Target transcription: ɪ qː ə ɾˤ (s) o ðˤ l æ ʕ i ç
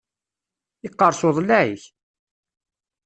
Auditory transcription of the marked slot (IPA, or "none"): s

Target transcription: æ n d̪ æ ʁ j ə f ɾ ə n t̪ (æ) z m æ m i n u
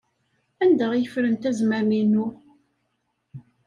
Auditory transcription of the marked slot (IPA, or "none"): æ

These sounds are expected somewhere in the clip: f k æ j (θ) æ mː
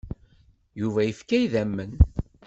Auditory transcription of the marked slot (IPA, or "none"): ð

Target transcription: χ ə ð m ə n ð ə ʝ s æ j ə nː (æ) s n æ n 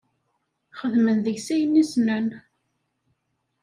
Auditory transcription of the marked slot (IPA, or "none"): i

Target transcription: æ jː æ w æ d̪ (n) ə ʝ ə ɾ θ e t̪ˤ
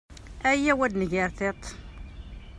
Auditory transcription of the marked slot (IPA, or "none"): n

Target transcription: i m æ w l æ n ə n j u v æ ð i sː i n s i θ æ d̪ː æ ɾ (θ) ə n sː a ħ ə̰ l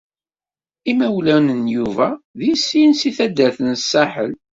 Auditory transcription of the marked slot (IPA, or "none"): θ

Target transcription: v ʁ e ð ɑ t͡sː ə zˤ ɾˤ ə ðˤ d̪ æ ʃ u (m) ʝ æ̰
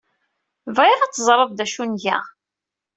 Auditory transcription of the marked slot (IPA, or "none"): n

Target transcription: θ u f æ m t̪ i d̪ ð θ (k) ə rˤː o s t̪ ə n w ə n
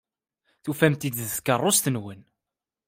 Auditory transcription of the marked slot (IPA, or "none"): k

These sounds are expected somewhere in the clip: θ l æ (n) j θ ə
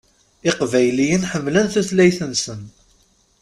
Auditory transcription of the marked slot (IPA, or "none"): none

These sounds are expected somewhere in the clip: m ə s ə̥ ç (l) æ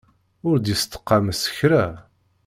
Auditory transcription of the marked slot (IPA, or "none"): ɾ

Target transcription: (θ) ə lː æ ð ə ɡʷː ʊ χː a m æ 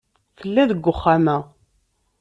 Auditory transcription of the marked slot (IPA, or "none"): θ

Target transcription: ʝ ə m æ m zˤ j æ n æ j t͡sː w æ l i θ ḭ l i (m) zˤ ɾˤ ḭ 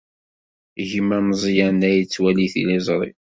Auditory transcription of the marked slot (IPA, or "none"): none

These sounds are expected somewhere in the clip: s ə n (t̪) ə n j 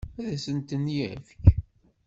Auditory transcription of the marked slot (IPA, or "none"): t̪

